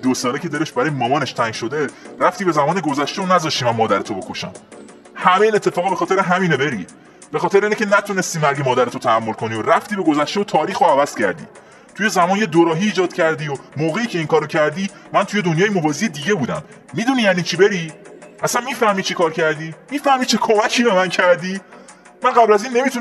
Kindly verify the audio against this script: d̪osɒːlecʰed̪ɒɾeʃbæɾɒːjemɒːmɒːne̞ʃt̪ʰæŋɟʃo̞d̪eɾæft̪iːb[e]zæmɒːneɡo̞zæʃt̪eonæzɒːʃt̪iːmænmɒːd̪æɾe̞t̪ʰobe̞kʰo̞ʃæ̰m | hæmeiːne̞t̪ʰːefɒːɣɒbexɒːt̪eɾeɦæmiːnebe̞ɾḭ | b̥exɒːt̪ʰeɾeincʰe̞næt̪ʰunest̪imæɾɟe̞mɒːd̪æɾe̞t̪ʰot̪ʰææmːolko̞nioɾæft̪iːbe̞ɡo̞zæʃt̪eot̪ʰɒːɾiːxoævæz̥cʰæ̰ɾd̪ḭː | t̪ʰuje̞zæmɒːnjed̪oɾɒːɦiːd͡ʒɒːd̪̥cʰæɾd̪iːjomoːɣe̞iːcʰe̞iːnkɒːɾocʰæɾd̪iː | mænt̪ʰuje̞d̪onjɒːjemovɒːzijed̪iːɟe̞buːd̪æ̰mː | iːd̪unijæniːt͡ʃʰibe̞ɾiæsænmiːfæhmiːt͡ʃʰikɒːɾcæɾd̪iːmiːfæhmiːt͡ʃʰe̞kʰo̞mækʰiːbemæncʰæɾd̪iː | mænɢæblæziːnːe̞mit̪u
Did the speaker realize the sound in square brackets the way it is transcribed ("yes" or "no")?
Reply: yes